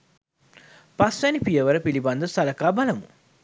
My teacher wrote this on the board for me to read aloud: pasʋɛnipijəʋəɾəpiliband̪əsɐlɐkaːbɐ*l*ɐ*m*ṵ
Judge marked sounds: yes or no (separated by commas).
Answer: yes, yes